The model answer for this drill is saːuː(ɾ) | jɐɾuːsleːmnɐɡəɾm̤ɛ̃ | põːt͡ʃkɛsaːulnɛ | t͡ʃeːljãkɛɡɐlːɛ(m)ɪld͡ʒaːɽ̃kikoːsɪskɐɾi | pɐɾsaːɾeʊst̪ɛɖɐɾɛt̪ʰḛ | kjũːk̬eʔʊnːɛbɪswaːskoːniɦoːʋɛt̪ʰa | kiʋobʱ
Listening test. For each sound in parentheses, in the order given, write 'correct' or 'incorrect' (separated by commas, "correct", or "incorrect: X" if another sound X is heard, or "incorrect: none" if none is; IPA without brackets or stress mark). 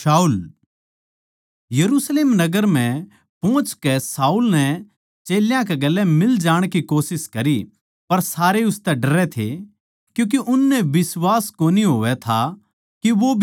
incorrect: l, correct